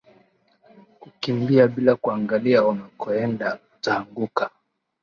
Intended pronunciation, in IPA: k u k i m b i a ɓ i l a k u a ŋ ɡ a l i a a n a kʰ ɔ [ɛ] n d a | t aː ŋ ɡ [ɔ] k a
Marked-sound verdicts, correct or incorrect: correct, incorrect

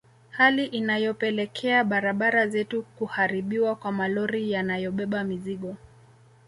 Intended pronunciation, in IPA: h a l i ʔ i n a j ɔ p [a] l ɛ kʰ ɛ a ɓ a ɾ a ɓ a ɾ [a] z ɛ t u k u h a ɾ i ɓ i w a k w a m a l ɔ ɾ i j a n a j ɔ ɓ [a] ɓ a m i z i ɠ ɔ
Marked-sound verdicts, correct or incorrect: incorrect, correct, incorrect

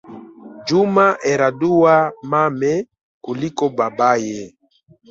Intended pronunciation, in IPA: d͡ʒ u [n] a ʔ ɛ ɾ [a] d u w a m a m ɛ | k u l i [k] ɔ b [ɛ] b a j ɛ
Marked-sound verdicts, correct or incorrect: incorrect, correct, correct, incorrect

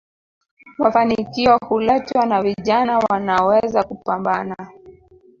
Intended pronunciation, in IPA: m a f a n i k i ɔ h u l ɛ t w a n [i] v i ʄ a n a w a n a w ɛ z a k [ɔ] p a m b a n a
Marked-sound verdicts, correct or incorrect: incorrect, incorrect

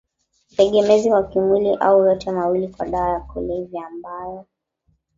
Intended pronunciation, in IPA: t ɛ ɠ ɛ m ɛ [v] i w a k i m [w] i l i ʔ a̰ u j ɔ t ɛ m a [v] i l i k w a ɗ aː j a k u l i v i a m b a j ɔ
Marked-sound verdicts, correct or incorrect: incorrect, correct, incorrect

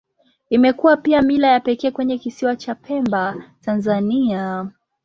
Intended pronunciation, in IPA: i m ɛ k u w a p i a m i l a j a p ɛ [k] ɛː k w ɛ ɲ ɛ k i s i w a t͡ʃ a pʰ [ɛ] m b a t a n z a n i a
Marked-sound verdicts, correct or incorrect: correct, correct

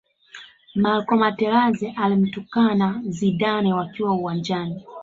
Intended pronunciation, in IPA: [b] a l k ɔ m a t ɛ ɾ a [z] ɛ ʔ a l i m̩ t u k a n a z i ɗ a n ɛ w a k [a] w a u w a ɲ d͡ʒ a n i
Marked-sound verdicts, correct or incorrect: incorrect, correct, incorrect

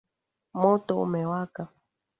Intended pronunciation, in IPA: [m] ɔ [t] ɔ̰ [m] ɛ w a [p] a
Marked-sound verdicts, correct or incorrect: correct, correct, correct, incorrect

